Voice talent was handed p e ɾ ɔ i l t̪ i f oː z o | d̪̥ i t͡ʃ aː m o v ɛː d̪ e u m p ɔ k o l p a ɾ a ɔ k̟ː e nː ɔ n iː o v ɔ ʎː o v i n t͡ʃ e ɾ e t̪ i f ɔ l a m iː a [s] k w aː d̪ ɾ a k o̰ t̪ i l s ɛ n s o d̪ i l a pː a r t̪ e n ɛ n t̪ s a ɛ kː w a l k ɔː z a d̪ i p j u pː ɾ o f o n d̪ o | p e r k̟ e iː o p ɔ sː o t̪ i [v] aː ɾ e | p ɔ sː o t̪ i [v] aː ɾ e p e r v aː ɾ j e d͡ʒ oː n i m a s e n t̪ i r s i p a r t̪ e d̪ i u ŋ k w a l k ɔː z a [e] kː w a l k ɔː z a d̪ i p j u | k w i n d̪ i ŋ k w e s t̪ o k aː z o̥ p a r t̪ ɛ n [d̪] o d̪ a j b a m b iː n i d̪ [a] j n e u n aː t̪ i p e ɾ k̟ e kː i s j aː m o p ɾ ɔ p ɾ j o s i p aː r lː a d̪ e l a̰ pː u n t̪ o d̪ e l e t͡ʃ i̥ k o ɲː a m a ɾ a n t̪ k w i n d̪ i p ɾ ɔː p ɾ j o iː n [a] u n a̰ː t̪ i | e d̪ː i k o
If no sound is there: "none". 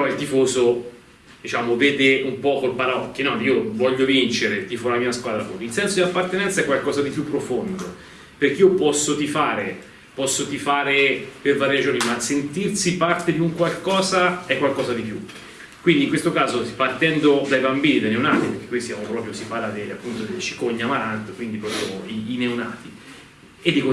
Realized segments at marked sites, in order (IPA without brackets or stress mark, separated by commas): s, f, f, ɛ, d̪, a, e